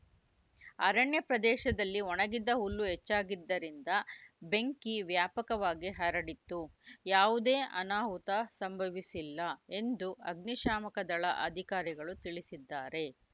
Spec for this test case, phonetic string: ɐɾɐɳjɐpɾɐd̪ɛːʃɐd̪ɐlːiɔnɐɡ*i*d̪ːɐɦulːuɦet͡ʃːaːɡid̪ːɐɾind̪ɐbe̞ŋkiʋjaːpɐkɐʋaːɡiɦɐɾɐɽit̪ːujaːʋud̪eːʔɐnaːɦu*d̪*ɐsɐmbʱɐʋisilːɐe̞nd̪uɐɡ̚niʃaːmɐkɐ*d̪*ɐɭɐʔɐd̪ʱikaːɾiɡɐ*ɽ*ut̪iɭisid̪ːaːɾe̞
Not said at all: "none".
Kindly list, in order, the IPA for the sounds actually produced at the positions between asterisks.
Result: i, t̪, d̪, ɭ

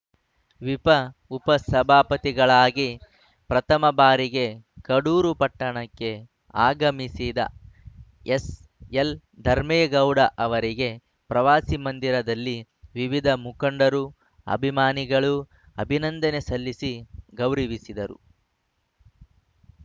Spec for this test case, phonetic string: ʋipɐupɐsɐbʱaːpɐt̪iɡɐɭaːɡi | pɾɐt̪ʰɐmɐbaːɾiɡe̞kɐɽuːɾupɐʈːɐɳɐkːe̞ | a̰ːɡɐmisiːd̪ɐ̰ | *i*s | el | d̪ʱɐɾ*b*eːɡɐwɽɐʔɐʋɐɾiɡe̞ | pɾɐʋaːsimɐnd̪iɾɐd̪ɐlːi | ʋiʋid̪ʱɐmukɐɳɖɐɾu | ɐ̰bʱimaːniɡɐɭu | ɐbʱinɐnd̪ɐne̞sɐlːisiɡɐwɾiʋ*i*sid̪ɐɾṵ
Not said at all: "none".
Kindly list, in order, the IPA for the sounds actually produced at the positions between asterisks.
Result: e, m, i

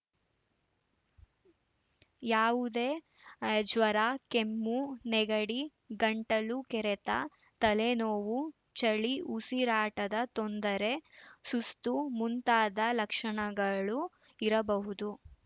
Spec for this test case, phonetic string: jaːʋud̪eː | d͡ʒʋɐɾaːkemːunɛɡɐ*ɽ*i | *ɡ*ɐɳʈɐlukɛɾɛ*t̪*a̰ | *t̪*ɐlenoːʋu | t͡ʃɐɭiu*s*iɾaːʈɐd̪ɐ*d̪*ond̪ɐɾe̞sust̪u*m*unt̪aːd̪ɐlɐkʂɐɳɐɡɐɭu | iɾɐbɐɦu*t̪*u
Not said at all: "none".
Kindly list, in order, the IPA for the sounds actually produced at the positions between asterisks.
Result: ɽ, ɡ, t̪, t̪, s, t̪, m, d̪

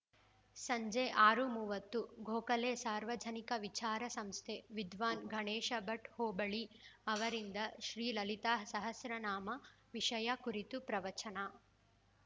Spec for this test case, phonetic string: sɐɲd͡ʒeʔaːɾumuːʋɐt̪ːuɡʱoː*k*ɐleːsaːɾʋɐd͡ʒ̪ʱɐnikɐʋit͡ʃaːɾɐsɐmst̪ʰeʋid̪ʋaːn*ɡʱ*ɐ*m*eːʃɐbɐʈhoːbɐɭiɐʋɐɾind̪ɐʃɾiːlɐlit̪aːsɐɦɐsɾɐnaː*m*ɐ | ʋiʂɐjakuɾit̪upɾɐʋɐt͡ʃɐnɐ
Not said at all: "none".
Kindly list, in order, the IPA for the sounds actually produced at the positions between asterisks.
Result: k, ɡʱ, ɳ, m

